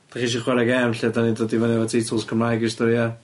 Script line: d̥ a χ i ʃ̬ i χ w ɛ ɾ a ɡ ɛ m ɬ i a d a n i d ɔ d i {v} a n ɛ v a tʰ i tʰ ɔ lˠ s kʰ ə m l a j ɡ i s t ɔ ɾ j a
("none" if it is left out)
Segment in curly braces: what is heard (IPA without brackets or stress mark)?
v